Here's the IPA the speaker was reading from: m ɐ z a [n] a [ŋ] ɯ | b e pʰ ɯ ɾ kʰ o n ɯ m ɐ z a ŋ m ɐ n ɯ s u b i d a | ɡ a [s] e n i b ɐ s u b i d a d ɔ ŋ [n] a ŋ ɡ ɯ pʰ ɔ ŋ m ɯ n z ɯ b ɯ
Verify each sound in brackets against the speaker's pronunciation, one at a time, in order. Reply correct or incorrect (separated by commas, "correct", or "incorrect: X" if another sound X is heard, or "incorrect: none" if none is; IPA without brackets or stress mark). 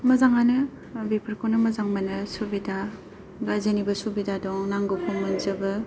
incorrect: ŋ, incorrect: n, incorrect: z, correct